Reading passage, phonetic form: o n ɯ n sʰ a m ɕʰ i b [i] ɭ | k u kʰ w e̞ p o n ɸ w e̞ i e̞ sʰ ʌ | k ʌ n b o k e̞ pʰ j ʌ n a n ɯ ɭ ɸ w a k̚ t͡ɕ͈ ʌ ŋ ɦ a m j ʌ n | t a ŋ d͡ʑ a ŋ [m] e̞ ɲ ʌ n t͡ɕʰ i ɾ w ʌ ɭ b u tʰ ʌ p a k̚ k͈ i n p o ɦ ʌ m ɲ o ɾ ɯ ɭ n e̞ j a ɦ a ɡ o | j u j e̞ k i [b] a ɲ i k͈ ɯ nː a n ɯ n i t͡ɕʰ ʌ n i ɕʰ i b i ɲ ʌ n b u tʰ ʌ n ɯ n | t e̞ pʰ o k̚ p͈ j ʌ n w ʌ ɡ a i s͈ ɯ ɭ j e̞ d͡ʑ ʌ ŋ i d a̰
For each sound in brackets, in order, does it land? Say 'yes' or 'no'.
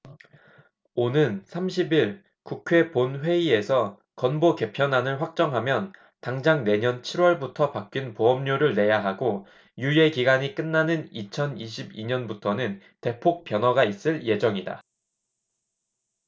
yes, no, no

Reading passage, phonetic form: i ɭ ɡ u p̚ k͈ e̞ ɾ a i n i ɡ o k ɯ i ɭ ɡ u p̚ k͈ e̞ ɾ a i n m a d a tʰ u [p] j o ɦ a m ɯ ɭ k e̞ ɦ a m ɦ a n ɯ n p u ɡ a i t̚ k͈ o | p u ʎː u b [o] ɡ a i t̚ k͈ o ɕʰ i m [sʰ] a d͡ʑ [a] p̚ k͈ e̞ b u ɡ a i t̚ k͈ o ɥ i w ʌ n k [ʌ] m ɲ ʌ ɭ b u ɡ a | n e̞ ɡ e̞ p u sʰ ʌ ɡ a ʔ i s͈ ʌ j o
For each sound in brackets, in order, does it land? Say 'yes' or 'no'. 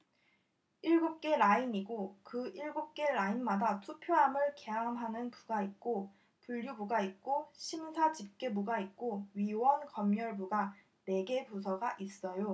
no, no, yes, no, yes

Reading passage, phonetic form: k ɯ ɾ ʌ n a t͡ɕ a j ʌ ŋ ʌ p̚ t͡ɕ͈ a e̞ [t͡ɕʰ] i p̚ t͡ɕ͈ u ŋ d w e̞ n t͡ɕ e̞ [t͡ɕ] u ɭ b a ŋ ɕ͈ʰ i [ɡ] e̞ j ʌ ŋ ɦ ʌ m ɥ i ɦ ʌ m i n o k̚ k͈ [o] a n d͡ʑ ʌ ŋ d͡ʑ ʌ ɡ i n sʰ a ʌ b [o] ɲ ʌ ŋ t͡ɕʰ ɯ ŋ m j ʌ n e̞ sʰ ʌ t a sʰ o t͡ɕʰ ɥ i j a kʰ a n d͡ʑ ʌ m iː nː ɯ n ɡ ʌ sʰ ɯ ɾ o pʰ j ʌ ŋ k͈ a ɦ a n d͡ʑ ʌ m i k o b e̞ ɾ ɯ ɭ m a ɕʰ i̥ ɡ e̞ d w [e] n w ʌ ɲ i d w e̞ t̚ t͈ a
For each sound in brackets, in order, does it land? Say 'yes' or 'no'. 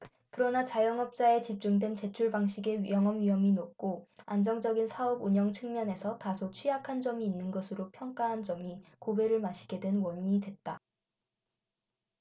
no, no, yes, yes, no, yes

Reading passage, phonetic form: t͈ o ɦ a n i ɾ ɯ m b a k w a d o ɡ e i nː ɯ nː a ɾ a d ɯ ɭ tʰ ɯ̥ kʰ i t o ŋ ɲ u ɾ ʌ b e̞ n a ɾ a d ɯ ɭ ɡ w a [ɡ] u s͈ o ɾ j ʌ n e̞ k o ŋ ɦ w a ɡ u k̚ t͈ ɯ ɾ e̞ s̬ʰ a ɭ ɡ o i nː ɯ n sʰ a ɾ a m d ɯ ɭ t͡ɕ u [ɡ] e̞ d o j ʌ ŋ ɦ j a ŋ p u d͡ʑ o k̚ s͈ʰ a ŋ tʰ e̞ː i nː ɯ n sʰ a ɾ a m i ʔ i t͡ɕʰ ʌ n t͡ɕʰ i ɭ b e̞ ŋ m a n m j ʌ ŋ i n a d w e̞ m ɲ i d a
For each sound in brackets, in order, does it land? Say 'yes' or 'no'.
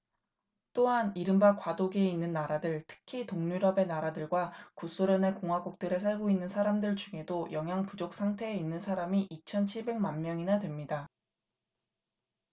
no, no

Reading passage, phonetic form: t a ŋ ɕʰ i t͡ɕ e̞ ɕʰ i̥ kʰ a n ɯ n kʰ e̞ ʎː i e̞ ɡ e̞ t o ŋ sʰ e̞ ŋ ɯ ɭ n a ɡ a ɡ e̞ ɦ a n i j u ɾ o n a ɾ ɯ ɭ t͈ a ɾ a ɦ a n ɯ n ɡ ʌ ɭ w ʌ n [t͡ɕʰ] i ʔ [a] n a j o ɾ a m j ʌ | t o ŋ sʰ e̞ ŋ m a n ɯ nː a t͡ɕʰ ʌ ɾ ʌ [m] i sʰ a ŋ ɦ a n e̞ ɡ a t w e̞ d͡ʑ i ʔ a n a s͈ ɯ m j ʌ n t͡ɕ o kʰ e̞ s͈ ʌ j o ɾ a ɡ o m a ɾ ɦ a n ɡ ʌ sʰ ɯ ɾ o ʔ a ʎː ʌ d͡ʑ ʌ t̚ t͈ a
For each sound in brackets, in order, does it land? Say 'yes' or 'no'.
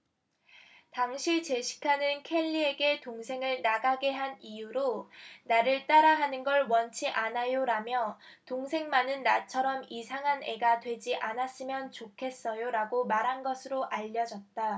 yes, yes, yes

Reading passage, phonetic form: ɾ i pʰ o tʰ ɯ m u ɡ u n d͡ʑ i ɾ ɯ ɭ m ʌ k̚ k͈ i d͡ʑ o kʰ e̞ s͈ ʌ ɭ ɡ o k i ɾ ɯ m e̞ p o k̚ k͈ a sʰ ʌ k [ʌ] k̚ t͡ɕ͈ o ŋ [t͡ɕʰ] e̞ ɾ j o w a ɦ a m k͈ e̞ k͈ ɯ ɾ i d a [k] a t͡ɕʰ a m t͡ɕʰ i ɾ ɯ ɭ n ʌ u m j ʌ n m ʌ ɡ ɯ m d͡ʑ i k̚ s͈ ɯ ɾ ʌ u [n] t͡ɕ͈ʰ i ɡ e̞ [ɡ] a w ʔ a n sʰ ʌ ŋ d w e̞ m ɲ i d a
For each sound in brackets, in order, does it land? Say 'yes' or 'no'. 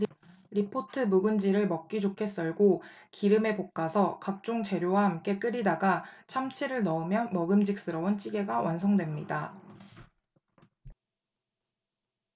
no, no, no, yes, yes

